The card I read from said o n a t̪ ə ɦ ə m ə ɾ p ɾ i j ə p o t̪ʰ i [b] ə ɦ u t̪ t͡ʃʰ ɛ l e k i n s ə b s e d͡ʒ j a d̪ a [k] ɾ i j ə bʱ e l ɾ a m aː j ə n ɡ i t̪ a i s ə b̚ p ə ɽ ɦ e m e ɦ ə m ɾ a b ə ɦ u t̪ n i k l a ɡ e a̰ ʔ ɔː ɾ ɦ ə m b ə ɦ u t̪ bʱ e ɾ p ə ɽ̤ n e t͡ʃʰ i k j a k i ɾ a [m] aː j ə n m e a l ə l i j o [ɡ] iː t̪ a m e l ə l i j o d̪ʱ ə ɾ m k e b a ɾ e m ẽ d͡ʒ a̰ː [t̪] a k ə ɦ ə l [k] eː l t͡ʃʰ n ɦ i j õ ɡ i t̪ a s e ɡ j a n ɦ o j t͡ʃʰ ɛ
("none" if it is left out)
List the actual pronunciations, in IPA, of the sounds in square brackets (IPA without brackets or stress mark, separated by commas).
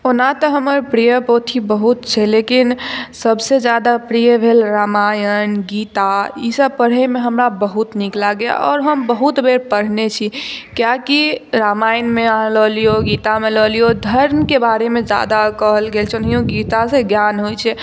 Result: b, p, m, ɡ, d̪, ɡ